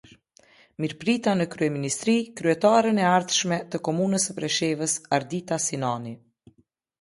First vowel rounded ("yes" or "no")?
no